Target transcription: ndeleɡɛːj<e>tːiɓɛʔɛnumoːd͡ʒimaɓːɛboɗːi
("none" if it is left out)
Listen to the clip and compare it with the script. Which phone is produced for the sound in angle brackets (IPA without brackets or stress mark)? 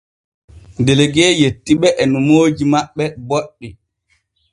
e